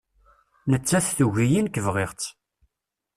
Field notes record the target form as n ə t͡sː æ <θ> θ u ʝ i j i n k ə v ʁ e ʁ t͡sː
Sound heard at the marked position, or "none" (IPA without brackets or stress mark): θ